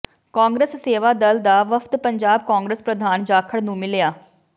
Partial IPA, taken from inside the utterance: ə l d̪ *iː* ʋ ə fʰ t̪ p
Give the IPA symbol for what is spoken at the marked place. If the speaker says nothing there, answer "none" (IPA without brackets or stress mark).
aː